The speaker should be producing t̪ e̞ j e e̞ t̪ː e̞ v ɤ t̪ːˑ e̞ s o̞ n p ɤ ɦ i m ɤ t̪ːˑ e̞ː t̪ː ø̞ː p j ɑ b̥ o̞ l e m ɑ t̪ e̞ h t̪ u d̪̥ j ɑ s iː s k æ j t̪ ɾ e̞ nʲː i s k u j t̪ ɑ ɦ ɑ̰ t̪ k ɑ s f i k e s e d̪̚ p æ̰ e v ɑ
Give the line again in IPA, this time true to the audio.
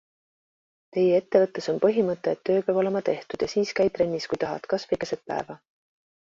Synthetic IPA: t̪ e̞ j e e̞ t̪ː e̞ v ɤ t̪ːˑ e̞ s o̞ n p ɤ ɦ i m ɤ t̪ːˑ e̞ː t̪ː ø̞ː p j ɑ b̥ o̞ l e m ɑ t̪ e̞ h t̪ u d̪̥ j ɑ s iː s k æ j t̪ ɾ e̞ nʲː i s k u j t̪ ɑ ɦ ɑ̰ t̪ k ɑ s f i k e s e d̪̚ p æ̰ e v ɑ